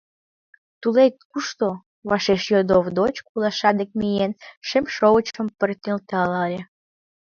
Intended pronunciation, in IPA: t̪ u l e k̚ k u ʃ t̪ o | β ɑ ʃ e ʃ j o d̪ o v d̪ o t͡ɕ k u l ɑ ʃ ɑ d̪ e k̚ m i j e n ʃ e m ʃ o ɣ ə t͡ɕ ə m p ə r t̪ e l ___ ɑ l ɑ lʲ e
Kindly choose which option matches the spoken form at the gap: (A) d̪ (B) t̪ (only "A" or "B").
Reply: B